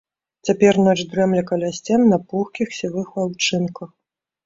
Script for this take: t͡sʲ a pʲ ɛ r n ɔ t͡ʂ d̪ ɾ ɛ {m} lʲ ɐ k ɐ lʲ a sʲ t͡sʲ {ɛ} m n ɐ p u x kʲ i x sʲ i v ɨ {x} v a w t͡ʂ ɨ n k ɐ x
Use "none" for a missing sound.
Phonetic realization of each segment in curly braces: m, ɛ, x

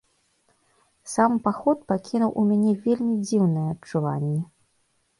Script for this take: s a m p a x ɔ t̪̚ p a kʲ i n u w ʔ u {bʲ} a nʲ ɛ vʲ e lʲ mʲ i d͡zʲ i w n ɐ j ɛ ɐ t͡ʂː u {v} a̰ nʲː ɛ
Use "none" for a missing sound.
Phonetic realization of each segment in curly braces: mʲ, v

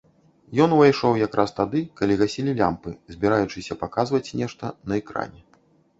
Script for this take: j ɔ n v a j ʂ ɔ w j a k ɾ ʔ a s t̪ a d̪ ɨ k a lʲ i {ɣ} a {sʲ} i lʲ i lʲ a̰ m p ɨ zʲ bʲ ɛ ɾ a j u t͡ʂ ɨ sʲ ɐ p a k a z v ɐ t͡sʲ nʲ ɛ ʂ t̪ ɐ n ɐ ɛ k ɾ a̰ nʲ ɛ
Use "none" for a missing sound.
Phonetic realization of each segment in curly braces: ɣ, sʲ

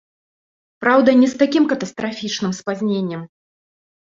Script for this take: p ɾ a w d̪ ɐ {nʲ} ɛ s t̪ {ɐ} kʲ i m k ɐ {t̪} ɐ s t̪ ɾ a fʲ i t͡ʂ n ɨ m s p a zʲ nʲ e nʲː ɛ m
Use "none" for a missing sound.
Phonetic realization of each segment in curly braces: nʲ, a, t̪

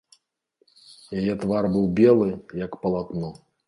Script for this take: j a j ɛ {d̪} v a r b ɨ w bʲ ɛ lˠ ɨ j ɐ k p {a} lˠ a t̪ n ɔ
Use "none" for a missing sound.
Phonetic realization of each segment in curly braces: t̪, ɐ

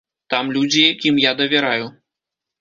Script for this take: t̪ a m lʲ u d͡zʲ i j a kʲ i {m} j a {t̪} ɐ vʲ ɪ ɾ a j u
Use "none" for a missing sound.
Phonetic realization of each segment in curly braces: m, d̪

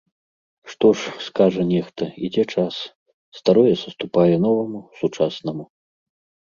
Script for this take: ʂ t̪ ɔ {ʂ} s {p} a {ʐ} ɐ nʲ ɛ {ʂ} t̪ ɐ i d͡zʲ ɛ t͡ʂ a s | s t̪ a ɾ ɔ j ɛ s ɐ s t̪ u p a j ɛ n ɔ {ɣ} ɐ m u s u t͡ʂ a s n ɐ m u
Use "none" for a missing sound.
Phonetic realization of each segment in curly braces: ʂ, k, ʐ, x, v

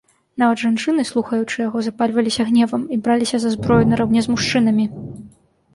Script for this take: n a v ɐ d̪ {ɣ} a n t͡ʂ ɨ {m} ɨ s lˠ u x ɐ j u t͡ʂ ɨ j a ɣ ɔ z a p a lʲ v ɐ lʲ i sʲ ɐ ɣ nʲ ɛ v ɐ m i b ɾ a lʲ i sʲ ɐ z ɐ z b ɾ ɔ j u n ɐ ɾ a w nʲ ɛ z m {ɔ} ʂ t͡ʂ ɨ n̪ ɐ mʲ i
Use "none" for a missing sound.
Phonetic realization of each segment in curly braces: ʐ, n, u

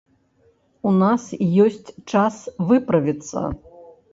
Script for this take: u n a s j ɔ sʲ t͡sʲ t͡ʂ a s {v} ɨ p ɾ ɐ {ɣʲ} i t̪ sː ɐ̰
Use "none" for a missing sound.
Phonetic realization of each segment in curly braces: v, vʲ

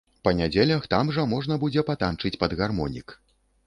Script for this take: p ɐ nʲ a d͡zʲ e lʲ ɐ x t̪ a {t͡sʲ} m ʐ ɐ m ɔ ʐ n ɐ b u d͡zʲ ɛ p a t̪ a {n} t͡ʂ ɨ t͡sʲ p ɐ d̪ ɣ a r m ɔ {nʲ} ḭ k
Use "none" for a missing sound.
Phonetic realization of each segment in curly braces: none, n, nʲ

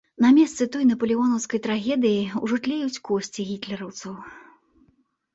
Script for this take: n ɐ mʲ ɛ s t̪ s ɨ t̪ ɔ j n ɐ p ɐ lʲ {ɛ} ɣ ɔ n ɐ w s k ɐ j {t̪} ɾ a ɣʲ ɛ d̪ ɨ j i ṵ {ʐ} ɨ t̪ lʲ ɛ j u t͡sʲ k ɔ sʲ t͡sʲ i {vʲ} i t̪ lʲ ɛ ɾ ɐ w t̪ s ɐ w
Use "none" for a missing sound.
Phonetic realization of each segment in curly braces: i, t̪, ʐ, ɣʲ

